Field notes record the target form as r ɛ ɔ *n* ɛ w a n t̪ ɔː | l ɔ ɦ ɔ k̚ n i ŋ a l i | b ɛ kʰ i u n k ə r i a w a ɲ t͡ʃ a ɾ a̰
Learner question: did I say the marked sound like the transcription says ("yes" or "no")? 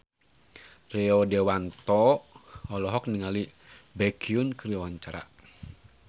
no